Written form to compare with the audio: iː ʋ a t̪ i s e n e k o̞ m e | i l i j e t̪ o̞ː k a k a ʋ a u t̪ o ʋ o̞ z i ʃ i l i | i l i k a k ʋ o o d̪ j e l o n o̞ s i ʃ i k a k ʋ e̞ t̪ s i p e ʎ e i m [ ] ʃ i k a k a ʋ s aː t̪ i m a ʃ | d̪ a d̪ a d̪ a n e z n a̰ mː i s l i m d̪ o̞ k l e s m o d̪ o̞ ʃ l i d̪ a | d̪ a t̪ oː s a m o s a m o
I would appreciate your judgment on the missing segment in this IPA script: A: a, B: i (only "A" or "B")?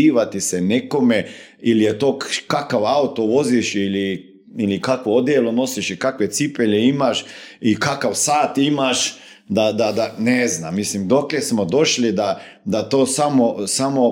A